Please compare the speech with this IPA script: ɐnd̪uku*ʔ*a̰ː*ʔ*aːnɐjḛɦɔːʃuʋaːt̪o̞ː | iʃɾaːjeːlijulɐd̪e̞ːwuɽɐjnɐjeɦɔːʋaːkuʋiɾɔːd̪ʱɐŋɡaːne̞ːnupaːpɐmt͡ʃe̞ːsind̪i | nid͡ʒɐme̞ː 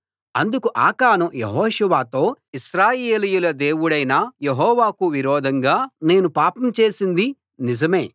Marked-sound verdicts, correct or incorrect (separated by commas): correct, incorrect